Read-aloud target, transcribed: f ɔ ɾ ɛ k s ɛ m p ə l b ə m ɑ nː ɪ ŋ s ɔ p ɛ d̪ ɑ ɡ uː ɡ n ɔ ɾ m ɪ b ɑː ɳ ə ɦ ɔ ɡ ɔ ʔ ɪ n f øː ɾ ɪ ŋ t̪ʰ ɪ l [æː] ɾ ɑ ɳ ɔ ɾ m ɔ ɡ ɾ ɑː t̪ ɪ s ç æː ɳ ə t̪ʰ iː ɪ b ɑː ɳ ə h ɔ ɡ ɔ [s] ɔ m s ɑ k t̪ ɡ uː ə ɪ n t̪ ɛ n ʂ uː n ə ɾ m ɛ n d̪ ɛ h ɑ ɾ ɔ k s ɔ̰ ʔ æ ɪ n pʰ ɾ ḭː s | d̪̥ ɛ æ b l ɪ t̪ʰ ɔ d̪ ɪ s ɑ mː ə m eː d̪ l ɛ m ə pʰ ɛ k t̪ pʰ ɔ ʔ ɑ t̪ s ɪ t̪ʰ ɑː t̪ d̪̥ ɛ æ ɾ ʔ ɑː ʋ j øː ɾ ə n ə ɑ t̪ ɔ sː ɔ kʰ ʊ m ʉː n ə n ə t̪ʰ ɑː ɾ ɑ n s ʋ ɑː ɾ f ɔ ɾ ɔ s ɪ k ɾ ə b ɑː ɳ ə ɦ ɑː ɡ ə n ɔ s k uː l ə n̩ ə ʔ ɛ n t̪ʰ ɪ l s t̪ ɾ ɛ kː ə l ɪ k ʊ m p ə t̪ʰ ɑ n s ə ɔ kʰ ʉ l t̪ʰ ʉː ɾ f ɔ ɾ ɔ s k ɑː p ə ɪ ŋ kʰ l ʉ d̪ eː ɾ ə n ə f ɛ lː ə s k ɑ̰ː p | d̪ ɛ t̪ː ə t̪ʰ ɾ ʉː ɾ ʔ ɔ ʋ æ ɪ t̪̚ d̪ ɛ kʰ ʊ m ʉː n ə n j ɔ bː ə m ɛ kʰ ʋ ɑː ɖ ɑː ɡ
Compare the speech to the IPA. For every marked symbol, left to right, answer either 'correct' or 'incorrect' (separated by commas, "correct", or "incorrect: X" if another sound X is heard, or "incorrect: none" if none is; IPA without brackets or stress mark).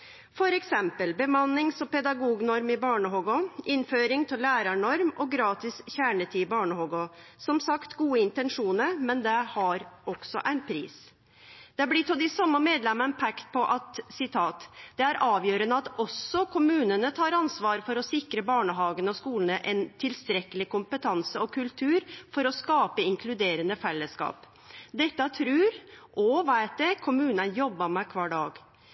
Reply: correct, correct